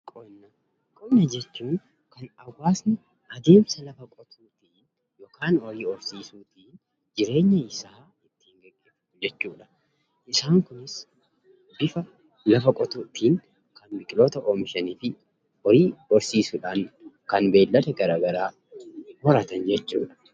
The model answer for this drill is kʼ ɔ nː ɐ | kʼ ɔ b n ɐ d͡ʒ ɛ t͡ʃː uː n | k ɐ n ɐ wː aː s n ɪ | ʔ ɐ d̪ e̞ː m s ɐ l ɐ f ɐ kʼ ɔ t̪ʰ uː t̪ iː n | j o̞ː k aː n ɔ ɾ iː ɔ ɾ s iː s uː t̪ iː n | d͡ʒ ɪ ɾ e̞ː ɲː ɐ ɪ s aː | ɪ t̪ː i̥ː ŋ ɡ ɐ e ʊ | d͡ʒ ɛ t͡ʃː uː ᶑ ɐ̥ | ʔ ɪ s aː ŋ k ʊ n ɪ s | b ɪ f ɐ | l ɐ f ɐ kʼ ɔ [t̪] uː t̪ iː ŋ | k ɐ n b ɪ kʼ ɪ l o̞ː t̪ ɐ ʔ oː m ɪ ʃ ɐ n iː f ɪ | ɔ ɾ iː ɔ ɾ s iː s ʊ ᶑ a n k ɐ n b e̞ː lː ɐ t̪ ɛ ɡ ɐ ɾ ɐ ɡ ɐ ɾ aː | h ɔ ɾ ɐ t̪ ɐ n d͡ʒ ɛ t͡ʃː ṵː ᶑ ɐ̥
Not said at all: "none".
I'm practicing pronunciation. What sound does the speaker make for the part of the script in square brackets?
t̪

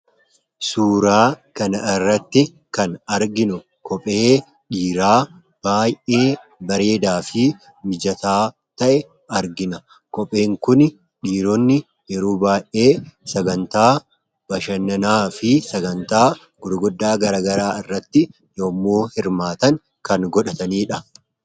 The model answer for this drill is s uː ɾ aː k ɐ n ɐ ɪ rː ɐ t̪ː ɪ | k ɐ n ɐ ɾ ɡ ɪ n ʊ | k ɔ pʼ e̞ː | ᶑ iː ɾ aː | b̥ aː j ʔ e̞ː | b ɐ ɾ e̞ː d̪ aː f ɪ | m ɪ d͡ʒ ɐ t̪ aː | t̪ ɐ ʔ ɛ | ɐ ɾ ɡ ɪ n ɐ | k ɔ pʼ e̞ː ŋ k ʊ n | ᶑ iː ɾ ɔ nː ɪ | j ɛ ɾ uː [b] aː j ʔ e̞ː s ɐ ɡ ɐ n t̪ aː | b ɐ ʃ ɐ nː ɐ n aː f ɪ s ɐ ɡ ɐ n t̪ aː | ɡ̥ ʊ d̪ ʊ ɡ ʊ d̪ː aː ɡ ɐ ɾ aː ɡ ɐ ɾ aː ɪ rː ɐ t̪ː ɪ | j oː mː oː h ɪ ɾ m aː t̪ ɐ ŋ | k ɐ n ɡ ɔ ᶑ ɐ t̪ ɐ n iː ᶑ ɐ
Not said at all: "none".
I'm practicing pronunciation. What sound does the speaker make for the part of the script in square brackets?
b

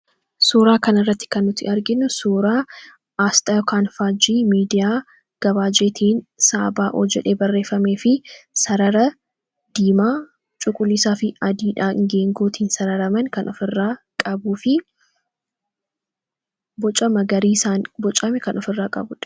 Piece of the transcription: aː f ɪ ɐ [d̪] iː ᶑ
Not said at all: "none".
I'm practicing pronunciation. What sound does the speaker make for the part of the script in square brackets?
d̪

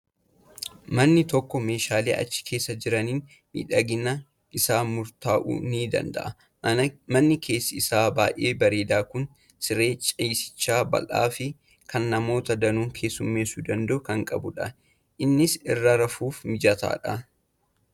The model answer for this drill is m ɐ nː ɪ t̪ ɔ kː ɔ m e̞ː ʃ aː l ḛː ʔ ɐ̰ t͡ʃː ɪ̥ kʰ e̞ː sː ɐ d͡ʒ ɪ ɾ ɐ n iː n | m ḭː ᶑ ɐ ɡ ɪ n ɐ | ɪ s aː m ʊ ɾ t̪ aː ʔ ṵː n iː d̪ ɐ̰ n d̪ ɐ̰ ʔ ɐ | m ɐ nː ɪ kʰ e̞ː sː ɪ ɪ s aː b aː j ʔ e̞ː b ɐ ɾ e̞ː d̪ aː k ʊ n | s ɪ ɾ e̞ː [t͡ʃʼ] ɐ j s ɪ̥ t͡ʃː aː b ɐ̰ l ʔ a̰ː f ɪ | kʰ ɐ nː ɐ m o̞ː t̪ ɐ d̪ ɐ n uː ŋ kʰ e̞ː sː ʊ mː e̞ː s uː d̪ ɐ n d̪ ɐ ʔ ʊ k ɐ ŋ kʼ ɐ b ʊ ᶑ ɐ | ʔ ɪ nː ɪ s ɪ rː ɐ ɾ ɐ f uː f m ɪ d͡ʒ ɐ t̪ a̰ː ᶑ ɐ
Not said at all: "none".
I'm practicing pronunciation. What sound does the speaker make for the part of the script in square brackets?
t͡ʃʼ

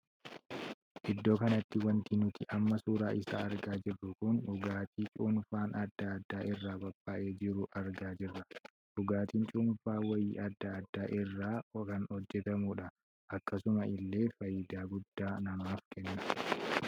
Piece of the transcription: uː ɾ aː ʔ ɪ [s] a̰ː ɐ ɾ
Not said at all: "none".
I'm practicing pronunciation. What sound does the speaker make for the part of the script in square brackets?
s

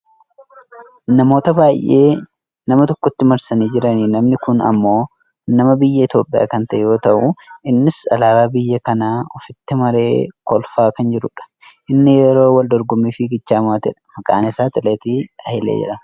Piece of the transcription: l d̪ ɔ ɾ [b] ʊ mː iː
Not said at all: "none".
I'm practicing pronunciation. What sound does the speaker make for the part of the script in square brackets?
ɡ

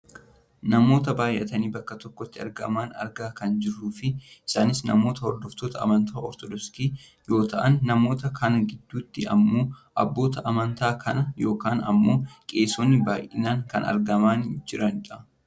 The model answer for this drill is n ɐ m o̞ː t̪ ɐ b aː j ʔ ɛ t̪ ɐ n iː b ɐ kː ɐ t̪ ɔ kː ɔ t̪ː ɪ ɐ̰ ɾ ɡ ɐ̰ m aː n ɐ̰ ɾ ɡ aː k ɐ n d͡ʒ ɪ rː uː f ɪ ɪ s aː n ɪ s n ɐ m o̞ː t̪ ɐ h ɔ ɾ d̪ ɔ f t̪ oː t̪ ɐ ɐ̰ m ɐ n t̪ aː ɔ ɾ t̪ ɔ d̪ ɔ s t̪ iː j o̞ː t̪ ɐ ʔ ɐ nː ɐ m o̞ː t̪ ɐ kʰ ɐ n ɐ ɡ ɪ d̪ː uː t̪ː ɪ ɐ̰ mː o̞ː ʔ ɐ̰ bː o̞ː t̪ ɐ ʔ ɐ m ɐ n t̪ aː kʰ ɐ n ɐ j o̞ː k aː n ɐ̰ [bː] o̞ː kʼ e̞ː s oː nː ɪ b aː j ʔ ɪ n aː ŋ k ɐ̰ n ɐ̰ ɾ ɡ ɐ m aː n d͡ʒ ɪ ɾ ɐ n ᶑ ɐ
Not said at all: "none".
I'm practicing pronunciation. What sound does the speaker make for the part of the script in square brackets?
mː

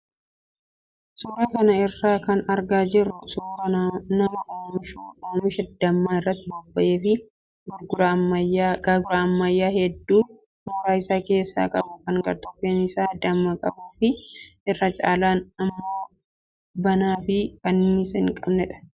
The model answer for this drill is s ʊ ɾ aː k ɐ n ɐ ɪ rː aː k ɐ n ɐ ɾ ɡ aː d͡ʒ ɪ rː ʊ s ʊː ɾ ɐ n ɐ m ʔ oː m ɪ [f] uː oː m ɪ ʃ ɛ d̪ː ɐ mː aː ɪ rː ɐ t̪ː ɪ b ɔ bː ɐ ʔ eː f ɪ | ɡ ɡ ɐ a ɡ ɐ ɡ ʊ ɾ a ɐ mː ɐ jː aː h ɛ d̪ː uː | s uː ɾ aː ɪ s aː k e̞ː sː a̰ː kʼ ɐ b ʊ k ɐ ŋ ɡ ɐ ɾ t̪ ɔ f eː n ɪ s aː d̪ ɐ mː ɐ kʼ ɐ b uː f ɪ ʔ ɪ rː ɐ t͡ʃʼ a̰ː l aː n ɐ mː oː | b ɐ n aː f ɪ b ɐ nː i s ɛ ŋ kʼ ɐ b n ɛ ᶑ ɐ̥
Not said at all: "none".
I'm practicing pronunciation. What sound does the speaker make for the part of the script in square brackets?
ʃ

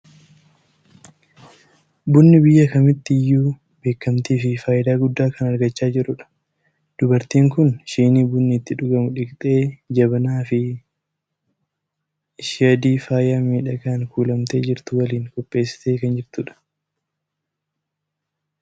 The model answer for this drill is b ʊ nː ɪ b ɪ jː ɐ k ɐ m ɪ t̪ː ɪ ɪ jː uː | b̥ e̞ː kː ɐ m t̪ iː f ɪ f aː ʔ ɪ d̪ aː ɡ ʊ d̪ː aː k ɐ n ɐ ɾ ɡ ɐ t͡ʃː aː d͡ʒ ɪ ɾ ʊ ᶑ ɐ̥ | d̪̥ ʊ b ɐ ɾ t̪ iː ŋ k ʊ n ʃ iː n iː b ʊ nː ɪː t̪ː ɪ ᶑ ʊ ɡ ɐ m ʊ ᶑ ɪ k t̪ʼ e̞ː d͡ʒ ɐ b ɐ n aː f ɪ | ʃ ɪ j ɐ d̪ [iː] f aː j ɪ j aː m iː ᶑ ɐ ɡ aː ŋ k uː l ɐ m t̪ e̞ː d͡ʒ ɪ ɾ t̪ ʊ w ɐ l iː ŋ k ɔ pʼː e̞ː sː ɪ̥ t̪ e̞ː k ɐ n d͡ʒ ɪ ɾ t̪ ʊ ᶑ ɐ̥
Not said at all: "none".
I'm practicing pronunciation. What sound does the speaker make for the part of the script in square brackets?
iː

